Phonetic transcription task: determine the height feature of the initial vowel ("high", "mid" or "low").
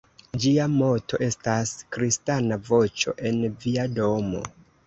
high